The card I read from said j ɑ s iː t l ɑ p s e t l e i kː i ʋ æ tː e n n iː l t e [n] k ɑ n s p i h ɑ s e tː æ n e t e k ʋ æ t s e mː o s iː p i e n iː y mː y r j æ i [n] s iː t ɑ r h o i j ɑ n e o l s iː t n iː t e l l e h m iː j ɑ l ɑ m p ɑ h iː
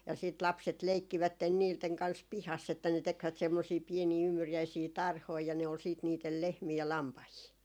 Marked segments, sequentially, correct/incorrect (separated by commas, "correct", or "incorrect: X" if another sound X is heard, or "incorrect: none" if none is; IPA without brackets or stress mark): incorrect: ŋ, incorrect: none